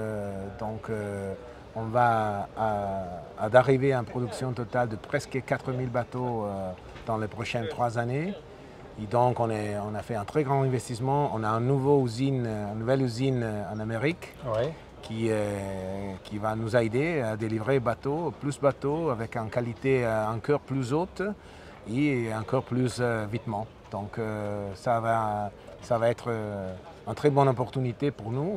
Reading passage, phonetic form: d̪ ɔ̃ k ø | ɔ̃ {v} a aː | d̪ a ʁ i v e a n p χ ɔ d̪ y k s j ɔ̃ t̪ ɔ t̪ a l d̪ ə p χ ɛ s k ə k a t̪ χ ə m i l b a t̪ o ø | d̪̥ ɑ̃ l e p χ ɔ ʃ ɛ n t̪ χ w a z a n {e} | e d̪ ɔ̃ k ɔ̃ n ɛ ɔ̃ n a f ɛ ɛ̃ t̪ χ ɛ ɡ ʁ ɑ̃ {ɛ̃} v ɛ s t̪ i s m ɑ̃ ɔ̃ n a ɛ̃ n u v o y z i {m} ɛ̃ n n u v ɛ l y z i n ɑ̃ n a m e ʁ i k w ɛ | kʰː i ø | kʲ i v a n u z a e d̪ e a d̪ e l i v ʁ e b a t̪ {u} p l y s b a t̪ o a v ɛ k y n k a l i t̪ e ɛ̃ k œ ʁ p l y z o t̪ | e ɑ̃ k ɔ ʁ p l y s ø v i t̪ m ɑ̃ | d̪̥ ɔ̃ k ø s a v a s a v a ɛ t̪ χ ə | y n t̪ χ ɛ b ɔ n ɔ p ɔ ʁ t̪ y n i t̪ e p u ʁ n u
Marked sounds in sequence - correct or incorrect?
correct, correct, correct, incorrect: n, incorrect: o

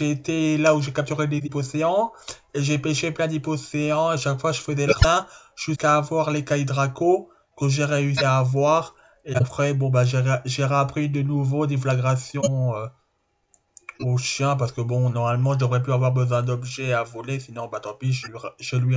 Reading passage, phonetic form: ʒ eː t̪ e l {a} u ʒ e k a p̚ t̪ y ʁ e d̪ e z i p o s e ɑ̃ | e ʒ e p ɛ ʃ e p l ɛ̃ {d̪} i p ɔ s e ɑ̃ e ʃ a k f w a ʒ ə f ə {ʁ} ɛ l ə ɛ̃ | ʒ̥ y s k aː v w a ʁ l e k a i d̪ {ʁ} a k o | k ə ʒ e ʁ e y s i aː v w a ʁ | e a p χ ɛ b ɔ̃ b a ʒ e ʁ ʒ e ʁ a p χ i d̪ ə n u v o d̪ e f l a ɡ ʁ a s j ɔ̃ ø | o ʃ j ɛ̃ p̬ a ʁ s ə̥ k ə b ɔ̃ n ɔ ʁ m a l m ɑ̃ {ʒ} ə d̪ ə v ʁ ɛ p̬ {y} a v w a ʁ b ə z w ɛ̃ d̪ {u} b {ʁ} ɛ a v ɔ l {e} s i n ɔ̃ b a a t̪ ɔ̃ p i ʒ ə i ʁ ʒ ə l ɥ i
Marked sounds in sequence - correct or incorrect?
correct, correct, incorrect: z, correct, correct, correct, incorrect: ɔ, incorrect: ʒ, correct

